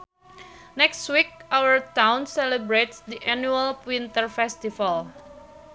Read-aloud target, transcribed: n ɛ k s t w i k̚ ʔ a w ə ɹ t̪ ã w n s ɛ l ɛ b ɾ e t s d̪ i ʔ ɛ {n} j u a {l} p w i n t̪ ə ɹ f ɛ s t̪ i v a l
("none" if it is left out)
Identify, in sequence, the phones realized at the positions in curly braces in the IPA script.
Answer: n, l

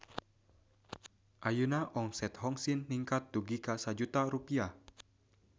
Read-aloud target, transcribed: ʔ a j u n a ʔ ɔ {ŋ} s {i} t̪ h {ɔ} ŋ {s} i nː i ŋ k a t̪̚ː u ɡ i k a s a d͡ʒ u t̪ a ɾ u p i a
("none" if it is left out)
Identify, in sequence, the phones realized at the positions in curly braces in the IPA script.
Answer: ŋ, ɛ, ɔ, s

